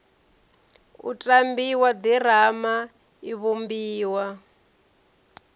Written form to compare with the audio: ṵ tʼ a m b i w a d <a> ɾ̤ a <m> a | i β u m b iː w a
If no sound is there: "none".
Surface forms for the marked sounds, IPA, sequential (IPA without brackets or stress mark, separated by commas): i, m